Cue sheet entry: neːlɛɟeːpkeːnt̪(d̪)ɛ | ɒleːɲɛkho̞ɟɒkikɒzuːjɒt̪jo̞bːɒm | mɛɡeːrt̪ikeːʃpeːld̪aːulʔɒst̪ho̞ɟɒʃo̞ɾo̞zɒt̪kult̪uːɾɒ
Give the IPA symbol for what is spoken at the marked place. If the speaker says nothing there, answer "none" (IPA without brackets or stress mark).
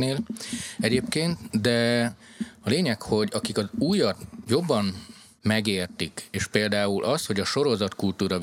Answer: d̪